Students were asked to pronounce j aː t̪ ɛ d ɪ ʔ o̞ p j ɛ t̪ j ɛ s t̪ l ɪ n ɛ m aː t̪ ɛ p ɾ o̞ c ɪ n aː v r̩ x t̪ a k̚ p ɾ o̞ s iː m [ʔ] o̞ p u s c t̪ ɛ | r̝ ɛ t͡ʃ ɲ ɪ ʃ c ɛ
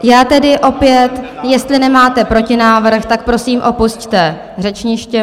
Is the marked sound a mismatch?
no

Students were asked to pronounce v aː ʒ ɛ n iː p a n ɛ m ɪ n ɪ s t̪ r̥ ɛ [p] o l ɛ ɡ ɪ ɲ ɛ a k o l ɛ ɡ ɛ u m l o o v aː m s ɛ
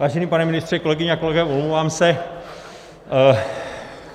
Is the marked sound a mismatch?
yes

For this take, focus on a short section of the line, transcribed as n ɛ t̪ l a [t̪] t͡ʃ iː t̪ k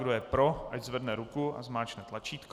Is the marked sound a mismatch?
yes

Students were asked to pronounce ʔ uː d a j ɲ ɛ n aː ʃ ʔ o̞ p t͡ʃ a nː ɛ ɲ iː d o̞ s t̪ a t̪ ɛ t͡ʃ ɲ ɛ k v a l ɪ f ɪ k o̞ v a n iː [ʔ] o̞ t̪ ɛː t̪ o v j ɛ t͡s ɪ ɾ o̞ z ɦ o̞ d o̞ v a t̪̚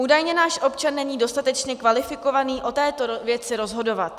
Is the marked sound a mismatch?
no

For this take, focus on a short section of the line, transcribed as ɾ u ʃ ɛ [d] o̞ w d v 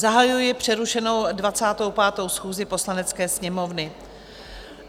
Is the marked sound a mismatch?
yes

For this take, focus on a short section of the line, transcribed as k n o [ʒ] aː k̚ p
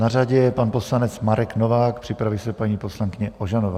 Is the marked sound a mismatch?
yes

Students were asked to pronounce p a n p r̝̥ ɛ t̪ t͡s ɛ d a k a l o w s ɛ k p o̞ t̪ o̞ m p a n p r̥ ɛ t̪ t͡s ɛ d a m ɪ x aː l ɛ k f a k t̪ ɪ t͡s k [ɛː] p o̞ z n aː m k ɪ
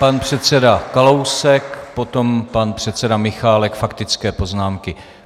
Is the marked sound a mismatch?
no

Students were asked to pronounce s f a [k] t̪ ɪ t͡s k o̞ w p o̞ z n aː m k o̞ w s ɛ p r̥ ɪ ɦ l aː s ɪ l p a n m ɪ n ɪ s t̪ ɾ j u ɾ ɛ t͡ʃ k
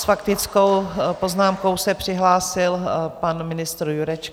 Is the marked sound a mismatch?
no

